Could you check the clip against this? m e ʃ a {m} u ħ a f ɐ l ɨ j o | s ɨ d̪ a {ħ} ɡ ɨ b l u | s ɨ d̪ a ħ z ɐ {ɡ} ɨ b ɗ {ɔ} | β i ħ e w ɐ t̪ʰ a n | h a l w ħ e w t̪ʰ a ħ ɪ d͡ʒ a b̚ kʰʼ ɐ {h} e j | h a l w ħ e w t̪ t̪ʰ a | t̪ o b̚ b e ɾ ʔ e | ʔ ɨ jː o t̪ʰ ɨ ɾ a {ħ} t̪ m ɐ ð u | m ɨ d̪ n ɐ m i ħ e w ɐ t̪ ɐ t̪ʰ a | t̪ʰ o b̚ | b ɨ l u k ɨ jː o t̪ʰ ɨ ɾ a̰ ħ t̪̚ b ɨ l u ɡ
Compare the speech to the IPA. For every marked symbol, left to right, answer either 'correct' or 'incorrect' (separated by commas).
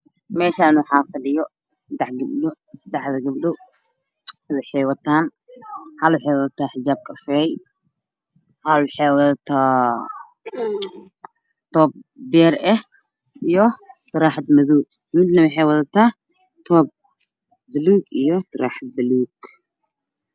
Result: incorrect, correct, correct, incorrect, incorrect, correct